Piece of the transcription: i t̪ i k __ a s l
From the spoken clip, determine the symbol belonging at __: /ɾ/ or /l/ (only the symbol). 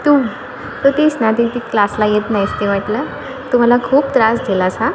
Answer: l